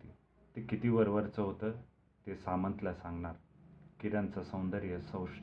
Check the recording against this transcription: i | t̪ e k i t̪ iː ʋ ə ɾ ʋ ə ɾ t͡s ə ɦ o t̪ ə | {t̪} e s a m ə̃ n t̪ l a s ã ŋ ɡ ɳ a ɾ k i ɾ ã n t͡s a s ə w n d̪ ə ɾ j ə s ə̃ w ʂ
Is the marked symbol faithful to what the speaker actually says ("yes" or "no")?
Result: yes